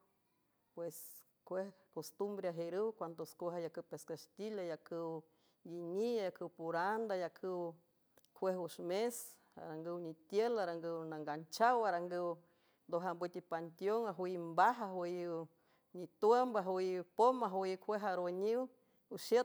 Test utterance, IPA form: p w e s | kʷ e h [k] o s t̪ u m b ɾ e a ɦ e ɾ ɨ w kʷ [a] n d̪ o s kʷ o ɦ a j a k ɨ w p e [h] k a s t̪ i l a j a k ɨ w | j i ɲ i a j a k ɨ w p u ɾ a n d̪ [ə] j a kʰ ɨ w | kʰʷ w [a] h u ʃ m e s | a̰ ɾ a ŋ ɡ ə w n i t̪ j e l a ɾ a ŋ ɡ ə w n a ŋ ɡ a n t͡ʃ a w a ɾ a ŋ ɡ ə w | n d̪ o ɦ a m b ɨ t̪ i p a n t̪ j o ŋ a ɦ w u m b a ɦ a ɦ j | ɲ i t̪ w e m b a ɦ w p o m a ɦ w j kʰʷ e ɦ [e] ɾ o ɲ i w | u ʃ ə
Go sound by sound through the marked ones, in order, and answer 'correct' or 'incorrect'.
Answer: correct, correct, incorrect: s, incorrect: a, incorrect: e, incorrect: a

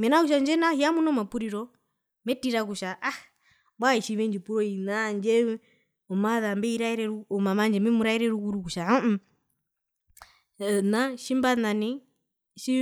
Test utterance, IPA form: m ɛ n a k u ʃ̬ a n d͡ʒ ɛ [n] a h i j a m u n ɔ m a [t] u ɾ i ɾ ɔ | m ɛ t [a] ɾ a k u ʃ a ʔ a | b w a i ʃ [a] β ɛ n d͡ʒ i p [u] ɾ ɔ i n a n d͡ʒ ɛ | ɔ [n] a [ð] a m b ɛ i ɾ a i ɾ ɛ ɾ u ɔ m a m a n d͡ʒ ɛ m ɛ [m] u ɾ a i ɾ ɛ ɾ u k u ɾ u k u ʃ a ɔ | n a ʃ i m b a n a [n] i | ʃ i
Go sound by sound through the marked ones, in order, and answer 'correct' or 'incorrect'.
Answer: correct, incorrect: p, incorrect: i, incorrect: i, correct, incorrect: m, correct, correct, correct

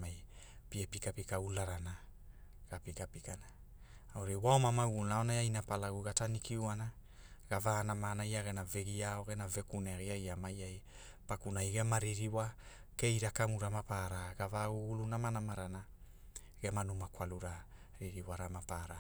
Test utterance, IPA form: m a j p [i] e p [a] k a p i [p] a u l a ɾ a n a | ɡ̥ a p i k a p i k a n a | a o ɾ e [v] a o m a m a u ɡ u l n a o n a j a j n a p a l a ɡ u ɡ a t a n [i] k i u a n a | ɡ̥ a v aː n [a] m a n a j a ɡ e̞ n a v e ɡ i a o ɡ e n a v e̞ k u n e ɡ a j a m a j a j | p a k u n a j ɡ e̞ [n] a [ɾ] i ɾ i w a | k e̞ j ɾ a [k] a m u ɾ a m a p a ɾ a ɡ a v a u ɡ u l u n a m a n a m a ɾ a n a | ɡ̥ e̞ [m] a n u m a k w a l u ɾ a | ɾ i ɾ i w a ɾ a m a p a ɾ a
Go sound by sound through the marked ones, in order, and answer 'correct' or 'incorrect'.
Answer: correct, incorrect: i, incorrect: k, incorrect: w, correct, correct, incorrect: m, correct, correct, correct

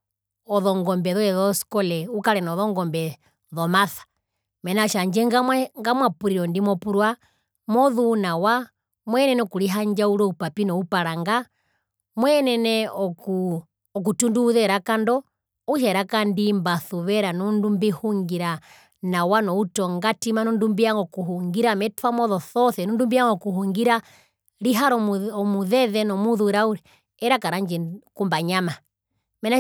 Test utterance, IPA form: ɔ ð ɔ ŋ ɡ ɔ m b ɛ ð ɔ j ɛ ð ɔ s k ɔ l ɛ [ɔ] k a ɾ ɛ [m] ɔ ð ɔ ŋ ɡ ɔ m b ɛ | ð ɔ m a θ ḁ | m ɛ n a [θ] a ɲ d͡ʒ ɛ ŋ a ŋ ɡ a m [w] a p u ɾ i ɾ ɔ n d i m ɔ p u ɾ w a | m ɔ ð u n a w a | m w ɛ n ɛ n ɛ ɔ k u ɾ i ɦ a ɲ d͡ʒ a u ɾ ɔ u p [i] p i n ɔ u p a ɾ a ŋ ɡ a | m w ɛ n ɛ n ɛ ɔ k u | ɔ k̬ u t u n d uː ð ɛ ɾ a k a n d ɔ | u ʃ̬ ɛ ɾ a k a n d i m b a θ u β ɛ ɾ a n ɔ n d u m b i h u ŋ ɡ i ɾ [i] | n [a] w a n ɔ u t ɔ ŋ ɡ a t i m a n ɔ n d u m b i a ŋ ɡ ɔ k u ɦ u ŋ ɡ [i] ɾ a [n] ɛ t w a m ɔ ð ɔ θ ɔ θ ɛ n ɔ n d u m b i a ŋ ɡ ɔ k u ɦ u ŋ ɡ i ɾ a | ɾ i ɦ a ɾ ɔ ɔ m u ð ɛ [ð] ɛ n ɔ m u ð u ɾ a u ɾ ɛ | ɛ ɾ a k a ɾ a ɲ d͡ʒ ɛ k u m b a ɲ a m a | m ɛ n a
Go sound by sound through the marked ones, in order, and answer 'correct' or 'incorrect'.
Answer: incorrect: u, incorrect: n, incorrect: ʃ, correct, incorrect: a, incorrect: a, correct, correct, incorrect: m, correct

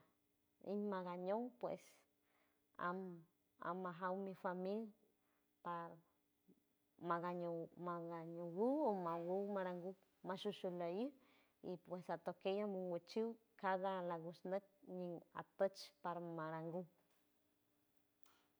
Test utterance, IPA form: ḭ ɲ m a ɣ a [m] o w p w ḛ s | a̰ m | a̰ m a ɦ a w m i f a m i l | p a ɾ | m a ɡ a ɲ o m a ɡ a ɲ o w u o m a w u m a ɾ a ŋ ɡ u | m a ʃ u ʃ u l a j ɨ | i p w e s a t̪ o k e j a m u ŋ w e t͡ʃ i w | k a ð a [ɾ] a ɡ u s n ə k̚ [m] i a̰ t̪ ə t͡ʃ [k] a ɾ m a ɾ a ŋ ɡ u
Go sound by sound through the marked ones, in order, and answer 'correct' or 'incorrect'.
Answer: incorrect: ɲ, incorrect: l, incorrect: ɲ, incorrect: p

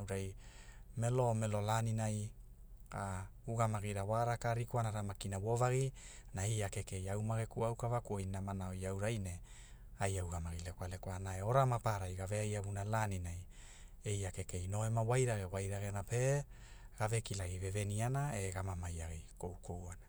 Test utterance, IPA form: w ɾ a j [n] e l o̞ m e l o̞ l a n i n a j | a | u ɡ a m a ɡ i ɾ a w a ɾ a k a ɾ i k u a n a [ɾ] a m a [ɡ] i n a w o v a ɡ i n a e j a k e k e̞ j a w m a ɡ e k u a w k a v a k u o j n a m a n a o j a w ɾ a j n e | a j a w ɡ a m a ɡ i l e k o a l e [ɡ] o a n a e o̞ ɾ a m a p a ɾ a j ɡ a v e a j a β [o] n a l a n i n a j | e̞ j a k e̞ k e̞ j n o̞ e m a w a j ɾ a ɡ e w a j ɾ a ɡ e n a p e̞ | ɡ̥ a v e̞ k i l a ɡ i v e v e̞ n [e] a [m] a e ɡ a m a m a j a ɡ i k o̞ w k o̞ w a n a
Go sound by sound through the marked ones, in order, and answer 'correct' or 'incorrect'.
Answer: incorrect: m, correct, incorrect: k, incorrect: k, incorrect: u, incorrect: i, incorrect: n

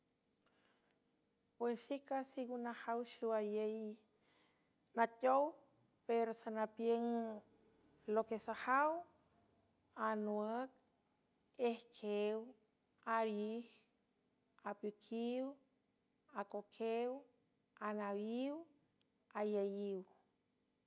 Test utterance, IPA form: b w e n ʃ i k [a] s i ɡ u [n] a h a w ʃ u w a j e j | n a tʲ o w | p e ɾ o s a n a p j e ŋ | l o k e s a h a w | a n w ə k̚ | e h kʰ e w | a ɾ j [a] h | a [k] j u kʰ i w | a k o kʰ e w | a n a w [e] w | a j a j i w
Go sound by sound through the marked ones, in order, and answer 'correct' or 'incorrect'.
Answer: correct, correct, incorrect: i, incorrect: p, incorrect: i

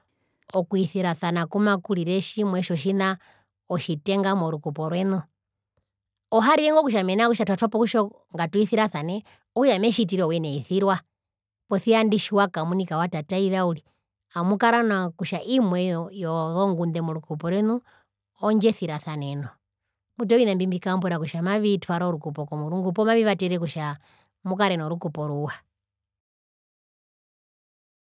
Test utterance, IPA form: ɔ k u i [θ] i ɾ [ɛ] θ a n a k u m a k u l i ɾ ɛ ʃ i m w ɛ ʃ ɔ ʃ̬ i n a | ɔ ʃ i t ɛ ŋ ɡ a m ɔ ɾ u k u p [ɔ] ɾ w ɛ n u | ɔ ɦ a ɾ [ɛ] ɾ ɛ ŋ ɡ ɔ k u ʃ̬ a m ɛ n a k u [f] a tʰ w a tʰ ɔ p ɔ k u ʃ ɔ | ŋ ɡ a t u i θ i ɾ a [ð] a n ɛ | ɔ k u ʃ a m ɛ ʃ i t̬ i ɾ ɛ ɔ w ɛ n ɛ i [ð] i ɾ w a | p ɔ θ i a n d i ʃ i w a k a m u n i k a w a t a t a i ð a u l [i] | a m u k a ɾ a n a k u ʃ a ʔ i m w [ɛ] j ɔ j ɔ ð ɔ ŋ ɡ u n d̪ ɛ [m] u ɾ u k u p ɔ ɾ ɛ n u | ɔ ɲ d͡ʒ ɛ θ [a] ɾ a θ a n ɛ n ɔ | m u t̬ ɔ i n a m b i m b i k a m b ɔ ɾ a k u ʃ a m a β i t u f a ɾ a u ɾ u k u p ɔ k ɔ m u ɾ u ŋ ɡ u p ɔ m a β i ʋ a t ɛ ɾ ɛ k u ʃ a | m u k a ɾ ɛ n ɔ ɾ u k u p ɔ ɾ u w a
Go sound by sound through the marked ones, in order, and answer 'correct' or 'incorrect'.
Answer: correct, incorrect: a, correct, incorrect: i, incorrect: ʃ, incorrect: θ, incorrect: θ, correct, correct, correct, incorrect: i

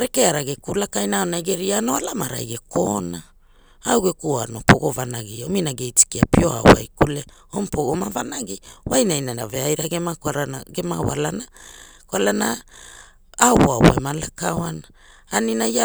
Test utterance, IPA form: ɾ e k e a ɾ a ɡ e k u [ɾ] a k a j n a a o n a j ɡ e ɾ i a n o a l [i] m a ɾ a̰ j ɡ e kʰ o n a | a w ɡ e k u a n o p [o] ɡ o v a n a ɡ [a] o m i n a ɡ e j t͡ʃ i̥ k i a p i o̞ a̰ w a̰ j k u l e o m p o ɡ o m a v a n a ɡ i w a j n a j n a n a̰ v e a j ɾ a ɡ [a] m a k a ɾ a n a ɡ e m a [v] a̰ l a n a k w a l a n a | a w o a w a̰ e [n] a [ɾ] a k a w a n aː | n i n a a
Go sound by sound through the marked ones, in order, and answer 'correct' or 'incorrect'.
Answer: incorrect: l, incorrect: a, correct, incorrect: i, incorrect: e, incorrect: w, incorrect: m, incorrect: l

